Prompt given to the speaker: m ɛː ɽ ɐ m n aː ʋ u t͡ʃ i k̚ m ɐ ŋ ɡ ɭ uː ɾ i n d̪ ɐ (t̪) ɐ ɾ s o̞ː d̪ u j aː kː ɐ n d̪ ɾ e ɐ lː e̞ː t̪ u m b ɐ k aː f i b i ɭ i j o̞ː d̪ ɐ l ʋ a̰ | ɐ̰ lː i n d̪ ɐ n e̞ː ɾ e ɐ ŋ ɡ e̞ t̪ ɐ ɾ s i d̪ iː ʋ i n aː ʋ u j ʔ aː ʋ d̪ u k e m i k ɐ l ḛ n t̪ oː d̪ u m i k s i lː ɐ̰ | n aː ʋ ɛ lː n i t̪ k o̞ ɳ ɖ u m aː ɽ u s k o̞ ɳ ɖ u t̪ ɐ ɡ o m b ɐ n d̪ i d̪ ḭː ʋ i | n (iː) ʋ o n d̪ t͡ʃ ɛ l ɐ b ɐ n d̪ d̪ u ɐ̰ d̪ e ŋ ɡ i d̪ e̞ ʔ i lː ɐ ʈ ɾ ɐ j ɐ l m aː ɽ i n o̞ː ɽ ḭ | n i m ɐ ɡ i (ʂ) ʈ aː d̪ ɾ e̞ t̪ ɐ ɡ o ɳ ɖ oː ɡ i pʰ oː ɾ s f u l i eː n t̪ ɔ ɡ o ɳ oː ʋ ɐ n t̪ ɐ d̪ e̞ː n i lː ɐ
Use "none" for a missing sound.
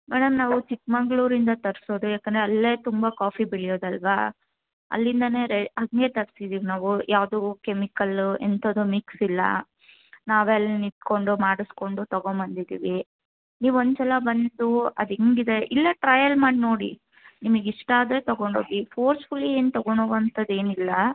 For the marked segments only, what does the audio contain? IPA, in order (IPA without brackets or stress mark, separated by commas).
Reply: t̪, iː, ʂ